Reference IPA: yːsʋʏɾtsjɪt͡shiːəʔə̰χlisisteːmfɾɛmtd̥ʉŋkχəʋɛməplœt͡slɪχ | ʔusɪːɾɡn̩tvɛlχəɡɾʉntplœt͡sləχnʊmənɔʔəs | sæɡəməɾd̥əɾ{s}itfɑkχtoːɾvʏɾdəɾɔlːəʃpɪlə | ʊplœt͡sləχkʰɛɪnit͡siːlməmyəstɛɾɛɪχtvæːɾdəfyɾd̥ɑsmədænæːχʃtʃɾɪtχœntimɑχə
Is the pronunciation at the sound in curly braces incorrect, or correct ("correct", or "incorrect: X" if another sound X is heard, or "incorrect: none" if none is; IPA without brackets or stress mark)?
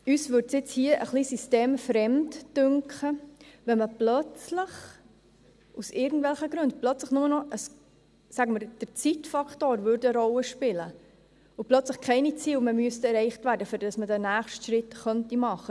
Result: incorrect: t͡s